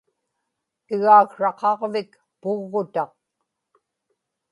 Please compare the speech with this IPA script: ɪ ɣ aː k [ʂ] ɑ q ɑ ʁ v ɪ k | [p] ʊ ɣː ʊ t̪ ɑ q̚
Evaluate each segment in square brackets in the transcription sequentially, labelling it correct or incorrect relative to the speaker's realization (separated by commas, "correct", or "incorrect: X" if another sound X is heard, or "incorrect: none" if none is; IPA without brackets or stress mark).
correct, correct